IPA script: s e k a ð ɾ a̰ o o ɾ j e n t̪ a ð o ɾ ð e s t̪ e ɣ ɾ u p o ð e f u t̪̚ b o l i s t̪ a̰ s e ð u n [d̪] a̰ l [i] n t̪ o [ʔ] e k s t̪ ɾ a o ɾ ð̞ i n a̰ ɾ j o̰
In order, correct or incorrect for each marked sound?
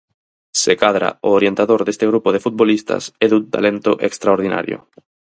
incorrect, incorrect, correct

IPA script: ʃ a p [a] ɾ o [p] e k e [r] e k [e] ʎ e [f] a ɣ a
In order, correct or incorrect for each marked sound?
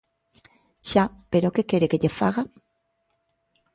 incorrect, incorrect, incorrect, correct, correct

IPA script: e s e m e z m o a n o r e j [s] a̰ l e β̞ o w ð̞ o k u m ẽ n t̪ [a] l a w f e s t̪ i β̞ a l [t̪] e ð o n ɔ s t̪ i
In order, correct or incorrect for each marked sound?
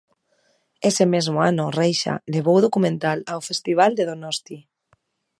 incorrect, correct, incorrect

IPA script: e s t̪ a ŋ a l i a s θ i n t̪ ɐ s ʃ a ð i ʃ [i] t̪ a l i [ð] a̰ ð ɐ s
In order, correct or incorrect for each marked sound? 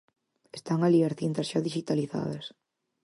correct, incorrect

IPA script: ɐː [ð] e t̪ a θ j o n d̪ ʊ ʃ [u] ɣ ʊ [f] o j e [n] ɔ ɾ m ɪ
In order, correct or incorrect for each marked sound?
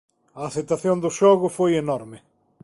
incorrect, incorrect, correct, correct

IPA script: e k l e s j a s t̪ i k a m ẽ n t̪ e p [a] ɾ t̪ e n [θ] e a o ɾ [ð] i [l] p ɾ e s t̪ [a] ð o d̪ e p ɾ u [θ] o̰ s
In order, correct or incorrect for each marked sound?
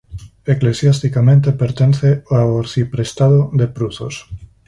incorrect, correct, incorrect, incorrect, correct, correct

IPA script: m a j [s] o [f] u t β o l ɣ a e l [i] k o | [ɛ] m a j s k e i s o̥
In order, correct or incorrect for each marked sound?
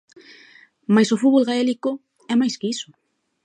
correct, correct, correct, correct

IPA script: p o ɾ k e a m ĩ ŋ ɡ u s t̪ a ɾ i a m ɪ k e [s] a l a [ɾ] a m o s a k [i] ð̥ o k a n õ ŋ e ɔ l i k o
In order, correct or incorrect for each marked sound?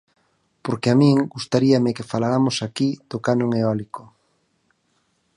incorrect, correct, correct

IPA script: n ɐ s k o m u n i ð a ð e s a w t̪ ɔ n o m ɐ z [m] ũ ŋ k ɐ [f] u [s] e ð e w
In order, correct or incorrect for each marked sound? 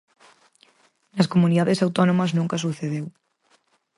incorrect, incorrect, incorrect

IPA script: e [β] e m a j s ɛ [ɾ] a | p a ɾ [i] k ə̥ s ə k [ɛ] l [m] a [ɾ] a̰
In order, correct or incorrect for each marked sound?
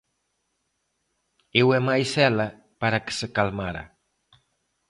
incorrect, incorrect, incorrect, incorrect, correct, correct

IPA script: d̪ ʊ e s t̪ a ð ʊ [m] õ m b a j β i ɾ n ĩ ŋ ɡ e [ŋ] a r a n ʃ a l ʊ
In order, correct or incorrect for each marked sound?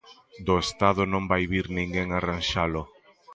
incorrect, correct

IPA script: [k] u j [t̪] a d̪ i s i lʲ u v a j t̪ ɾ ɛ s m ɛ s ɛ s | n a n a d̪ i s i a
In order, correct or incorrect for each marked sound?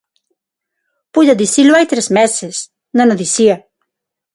incorrect, incorrect

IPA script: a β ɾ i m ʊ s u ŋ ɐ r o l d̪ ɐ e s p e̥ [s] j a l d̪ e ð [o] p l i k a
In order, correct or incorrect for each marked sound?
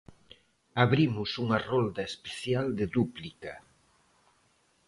incorrect, incorrect

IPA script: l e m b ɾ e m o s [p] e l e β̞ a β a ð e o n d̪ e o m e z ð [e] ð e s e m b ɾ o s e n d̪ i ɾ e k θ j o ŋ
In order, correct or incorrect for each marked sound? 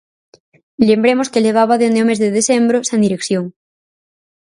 incorrect, correct

